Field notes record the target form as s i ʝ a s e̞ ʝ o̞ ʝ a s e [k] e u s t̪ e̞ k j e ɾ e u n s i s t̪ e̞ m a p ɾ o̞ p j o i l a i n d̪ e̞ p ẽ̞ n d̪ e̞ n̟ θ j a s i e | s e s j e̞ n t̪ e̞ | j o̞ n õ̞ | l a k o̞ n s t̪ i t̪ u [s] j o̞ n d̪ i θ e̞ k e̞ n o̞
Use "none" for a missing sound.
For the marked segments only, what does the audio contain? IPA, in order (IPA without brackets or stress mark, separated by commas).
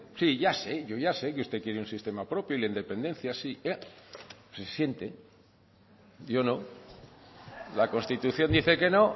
k, θ